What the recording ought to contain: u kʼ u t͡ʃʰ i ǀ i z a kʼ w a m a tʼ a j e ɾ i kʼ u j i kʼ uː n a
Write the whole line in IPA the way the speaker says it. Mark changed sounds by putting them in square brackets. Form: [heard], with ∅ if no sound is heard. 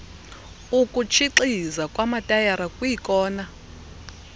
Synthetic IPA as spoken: u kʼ u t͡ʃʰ i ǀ i z a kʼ w a m a tʼ a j [a] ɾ [a] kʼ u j i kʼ [ɔː] n a